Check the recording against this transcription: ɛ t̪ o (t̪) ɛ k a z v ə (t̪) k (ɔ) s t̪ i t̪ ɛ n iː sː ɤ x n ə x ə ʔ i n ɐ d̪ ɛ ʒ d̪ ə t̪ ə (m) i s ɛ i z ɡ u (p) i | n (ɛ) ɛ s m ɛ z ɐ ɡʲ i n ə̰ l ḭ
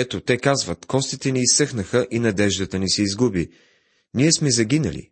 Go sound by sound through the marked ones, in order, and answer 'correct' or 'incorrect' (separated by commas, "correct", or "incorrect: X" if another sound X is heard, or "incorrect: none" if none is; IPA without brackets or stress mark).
correct, correct, correct, incorrect: n, incorrect: b, incorrect: i